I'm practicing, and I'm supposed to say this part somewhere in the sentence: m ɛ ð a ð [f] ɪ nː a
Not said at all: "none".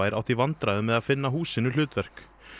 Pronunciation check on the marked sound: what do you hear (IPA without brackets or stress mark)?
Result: f